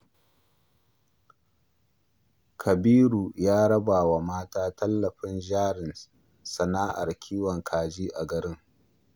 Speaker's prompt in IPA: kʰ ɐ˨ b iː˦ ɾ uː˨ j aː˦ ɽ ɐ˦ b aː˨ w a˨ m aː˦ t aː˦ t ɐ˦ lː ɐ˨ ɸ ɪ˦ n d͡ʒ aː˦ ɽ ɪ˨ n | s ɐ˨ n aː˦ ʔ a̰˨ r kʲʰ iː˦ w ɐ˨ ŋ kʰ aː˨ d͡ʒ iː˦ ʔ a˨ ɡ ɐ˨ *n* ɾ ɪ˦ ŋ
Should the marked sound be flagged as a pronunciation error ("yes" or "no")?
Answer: yes